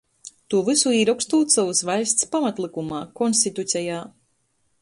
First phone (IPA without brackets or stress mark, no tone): t̪